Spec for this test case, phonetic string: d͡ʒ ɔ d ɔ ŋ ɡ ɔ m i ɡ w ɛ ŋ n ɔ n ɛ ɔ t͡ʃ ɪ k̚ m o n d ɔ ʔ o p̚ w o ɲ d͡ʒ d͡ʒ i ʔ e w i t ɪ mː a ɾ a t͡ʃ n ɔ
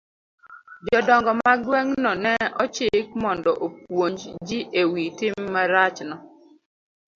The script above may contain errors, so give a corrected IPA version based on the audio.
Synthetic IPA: d͡ʒ ɔ d ɔ ŋ ɡ ɔ m a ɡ w ɛ ŋ n ɔ n ɛ ɔ t͡ʃ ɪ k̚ m ɔ n d ɔ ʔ o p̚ w o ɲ d͡ʒ d͡ʒ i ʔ e w i t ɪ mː a ɾ a t͡ʃ n ɔ

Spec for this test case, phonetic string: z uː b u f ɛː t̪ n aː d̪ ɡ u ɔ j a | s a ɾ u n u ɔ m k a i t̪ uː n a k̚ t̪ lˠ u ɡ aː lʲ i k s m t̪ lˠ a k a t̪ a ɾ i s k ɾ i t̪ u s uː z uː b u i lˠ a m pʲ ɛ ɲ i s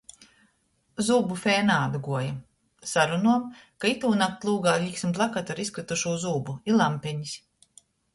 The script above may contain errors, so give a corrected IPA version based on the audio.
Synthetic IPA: z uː b u f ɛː n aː d̪ ɡ u ɔ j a | s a ɾ u n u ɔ m k a i t̪ uː n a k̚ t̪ lˠ uː ɡ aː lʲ i k s m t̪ lˠ a k a t̪ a ɾ i s k ɾ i t̪ u ʃ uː z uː b u i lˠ a m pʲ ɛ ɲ i s

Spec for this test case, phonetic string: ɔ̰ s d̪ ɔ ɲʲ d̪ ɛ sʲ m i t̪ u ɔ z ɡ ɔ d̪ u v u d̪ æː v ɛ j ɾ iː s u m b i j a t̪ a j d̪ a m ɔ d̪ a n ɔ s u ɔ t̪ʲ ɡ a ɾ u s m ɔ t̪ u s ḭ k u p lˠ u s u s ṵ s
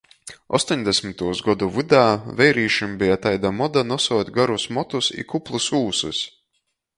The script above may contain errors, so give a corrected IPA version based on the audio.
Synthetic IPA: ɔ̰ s t̪ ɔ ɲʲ d̪ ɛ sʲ m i t̪ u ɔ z ɡ ɔ d̪ u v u d̪ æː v ɛ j ɾ iː ʃ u m b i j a t̪ a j d̪ a m ɔ d̪ a n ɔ s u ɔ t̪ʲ ɡ a ɾ u s m ɔ t̪ u s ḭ k u p lˠ u s uː s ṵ s

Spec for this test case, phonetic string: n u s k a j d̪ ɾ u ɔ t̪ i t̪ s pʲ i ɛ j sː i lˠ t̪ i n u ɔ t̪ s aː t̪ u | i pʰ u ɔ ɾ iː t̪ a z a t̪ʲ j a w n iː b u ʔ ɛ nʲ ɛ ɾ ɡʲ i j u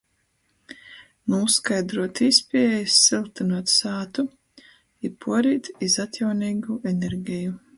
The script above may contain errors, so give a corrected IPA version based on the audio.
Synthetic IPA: n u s k a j d̪ ɾ u ɔ t̪ i s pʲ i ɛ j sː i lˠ t̪ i n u ɔ t̪ s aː t̪ u | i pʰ u ɔ ɾ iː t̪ i z a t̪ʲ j a w n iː ɡ u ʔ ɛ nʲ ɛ ɾ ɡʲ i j u

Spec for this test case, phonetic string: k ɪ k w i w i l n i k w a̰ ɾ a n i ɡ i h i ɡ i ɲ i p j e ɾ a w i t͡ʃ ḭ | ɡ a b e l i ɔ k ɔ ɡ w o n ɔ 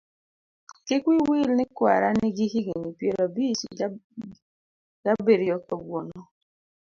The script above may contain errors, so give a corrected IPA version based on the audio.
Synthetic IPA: k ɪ k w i w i l n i k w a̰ ɾ a n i ɡ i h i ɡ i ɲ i p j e ɾ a b i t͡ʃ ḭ | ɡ a b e ɾ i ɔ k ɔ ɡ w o n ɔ

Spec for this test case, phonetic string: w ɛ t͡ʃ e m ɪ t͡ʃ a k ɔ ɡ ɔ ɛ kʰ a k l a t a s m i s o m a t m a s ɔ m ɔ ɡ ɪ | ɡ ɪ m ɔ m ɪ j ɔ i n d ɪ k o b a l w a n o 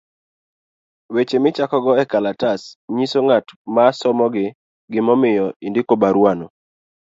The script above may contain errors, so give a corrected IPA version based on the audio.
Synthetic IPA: w e t͡ʃ e m ɪ t͡ʃ a k ɔ ɡ ɔ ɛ k a l a t a s ɲ i s o ŋ a t m a s ɔ m ɔ ɡ ɪ | ɡ ɪ m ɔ m ɪ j ɔ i n d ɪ k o b a ɾ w a n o

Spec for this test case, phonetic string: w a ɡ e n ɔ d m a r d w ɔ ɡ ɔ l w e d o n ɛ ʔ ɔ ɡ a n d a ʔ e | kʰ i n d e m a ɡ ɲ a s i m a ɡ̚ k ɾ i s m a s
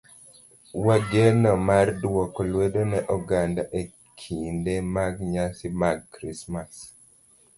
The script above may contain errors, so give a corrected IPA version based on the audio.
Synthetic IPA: w a ɡ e n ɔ m a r d w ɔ k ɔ l w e d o n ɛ ʔ ɔ ɡ a n d a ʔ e | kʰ i n d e m a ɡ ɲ a s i m a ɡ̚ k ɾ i s m a s

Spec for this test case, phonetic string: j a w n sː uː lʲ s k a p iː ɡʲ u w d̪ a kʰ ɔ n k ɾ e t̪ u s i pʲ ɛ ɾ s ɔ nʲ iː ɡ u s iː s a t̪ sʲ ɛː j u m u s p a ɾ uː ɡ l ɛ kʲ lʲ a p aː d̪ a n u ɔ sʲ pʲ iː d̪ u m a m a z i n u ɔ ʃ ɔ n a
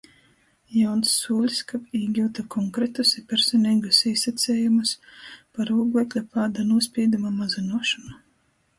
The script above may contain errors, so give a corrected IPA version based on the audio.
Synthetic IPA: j a w n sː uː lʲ s k a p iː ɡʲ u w t̪ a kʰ ɔ ŋ k ɾ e t̪ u s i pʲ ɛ ɾ s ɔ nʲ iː ɡ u s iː s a t̪ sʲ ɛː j u m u s p a ɾ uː ɡ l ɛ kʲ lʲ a p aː d̪ a n u ɔ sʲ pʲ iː d̪ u m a m a z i n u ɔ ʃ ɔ n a

